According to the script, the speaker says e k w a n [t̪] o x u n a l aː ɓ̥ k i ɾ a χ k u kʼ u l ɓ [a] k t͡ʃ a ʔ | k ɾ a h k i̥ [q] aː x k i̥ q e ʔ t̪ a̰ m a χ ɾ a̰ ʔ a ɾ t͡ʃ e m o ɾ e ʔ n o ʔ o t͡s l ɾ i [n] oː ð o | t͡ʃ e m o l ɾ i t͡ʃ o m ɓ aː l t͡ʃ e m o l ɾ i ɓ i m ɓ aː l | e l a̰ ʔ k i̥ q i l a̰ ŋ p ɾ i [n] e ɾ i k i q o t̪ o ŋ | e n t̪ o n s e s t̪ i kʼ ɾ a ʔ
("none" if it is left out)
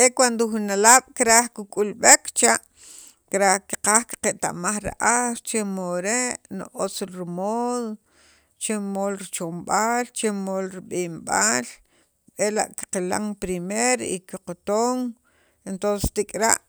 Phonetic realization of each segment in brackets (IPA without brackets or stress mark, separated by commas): d̪, e, q, m, m